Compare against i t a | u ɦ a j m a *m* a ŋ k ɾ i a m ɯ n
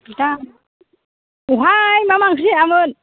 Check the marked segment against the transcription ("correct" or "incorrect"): correct